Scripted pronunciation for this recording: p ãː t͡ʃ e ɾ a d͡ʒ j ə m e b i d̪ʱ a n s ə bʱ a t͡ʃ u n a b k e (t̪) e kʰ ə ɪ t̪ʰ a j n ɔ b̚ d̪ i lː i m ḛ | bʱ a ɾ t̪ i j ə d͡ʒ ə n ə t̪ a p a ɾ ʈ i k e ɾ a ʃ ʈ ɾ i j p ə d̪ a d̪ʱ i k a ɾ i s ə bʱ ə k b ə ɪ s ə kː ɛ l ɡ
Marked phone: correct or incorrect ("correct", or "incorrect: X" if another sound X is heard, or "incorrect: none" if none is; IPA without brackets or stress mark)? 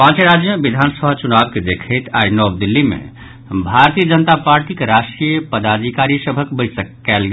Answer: incorrect: d̪